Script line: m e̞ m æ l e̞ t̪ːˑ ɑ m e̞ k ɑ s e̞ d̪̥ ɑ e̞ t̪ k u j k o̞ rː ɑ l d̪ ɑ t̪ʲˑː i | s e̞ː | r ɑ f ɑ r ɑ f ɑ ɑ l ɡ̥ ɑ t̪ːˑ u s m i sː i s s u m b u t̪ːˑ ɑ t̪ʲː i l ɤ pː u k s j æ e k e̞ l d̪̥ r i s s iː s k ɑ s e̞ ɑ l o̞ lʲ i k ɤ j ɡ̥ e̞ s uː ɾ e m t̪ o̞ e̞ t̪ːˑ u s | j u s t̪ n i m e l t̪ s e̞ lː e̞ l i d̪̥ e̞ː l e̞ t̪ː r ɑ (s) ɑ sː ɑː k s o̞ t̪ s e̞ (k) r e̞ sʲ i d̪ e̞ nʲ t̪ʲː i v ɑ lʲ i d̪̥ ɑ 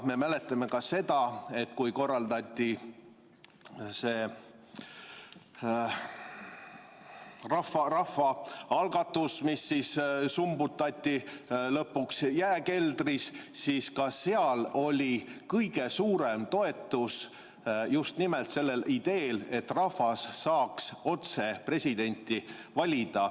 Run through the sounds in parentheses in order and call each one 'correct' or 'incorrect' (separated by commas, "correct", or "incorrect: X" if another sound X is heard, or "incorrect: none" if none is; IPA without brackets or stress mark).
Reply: incorrect: f, incorrect: p